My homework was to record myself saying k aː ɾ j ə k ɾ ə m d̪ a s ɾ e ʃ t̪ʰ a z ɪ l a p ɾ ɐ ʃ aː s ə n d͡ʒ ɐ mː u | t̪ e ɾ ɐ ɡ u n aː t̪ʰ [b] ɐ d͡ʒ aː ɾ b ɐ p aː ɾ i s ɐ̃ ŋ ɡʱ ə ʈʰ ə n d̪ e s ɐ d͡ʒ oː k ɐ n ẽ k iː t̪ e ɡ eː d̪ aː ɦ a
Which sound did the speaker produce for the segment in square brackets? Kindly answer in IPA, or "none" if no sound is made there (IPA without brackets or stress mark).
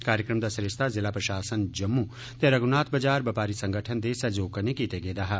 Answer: b